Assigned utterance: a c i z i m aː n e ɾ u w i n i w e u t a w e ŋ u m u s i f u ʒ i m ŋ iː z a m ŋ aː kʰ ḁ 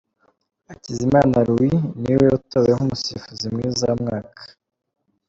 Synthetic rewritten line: a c i z i m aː n a ɾ u w i n i w e u t a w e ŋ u m u s i f u z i m ŋ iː z a m ŋ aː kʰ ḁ